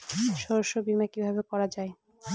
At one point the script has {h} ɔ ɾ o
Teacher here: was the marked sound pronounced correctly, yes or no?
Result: no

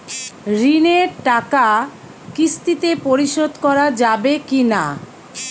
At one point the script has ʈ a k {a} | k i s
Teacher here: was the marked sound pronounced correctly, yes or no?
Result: yes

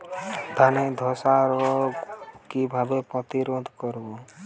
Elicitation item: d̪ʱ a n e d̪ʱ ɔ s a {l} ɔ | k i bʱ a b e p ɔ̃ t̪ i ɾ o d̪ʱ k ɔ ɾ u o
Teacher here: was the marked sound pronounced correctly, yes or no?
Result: no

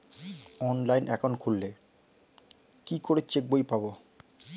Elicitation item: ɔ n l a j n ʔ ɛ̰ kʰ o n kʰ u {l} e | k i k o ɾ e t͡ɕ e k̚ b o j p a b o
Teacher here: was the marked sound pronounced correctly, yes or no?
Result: no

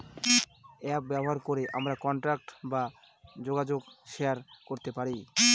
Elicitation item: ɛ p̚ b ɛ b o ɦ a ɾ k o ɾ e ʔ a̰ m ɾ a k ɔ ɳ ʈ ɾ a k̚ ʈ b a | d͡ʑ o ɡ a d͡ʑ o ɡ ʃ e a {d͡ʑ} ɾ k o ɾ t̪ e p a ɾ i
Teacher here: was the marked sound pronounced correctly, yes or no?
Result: no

